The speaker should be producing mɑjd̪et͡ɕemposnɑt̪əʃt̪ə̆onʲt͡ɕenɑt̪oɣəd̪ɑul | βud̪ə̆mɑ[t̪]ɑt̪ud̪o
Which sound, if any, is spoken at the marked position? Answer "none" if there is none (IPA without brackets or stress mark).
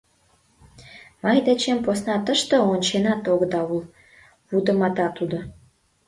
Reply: t̪